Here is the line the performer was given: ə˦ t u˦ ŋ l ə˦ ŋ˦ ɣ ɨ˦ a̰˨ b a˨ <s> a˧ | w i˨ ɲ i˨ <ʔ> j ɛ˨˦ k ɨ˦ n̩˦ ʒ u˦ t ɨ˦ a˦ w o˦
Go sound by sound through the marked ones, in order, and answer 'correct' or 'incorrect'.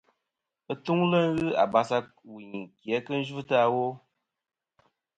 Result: correct, incorrect: k

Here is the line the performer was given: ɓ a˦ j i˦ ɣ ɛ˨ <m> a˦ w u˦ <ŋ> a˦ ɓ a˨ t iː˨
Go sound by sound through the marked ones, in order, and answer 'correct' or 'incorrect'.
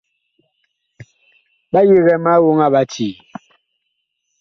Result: correct, correct

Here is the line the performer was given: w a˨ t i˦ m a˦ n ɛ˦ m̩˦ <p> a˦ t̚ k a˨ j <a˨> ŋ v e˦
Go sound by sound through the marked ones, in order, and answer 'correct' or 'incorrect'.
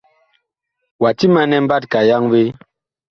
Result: incorrect: b, incorrect: a˦

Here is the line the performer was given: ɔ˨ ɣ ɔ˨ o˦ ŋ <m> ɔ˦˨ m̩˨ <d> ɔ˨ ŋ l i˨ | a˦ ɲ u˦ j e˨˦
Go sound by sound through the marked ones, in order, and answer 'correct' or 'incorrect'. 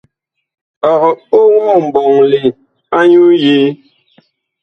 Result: correct, incorrect: b

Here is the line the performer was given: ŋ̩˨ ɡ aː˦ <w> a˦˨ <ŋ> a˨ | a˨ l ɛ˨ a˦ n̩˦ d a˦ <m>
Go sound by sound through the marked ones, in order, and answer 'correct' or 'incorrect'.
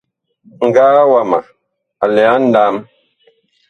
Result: correct, incorrect: m, correct

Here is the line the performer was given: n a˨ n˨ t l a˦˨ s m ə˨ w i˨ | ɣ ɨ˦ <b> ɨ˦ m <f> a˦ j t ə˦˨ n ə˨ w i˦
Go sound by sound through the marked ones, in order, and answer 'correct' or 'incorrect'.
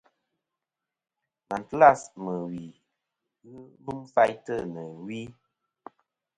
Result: correct, correct

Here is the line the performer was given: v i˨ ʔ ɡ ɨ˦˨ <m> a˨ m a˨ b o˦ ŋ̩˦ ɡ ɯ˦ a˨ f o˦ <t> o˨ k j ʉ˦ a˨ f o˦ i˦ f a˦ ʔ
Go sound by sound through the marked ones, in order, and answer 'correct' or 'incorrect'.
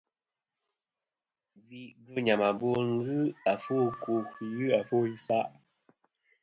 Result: incorrect: ɲ, incorrect: k

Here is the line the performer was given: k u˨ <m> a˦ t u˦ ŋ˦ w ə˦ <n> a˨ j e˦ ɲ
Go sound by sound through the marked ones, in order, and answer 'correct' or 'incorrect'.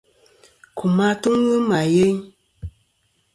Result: correct, incorrect: m

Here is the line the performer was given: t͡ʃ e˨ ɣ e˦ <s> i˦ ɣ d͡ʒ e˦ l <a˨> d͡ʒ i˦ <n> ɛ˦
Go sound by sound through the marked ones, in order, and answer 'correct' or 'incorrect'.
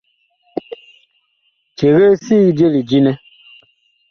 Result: correct, incorrect: i˨, correct

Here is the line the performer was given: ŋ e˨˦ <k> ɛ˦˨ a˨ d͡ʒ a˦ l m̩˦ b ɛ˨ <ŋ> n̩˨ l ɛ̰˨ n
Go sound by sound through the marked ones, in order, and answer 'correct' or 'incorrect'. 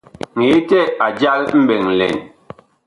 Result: incorrect: t, correct

